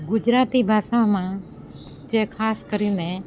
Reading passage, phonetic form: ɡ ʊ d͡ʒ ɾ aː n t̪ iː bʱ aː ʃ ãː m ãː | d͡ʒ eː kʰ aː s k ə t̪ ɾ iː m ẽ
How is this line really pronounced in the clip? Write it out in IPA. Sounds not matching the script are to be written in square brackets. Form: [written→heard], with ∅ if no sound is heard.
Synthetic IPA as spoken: ɡ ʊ d͡ʒ ɾ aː [n→∅] t̪ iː bʱ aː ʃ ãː m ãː | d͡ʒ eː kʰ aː s k ə [t̪→∅] ɾ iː [m→n] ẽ